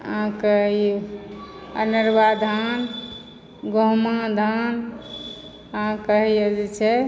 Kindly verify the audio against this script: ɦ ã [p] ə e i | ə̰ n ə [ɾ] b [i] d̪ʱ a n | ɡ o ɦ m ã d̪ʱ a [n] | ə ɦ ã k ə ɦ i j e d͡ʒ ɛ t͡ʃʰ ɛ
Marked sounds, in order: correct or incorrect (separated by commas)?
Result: incorrect, correct, incorrect, correct